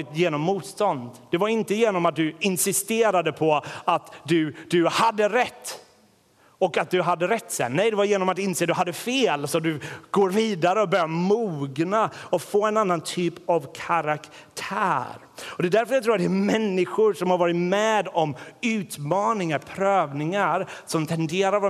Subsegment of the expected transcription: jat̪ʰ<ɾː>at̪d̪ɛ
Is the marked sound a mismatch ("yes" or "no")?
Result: no